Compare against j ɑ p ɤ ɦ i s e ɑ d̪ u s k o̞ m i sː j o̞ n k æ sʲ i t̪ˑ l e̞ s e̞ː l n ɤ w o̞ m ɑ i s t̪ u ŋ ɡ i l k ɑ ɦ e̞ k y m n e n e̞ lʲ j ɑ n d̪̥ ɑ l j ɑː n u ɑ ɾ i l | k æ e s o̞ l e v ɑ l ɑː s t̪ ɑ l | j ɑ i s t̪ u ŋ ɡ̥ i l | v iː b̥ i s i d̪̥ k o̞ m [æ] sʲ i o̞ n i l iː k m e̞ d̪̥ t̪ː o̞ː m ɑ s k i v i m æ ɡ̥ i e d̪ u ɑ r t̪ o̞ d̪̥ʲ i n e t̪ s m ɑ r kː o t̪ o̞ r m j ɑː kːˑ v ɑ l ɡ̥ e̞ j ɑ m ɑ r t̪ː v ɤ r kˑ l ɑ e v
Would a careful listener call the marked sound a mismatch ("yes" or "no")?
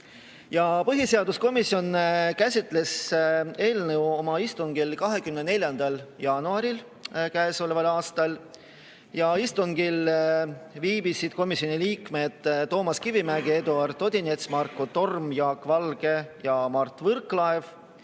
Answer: yes